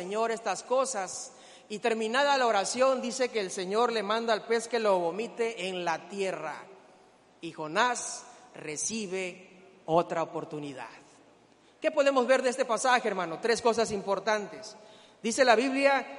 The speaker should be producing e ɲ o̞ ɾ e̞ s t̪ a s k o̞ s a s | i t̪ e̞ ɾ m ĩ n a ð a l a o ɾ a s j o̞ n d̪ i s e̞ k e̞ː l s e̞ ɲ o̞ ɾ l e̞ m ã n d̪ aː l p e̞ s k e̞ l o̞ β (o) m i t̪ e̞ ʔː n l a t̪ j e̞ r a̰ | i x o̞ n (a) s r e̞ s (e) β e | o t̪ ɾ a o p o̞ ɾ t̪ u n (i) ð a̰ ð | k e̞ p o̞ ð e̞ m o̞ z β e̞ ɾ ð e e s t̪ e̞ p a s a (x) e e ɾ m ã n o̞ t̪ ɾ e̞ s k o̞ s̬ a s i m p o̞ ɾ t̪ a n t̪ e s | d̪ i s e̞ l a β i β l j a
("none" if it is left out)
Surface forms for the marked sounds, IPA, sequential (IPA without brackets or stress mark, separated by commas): o, a, i, i, x